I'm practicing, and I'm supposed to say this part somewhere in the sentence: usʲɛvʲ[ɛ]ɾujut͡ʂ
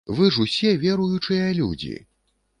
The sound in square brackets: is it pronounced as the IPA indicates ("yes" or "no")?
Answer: yes